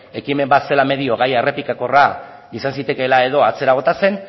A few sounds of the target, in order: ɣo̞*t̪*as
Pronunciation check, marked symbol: correct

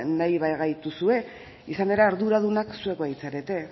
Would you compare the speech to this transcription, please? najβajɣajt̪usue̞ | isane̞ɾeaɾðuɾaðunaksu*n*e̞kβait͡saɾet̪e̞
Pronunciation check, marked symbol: incorrect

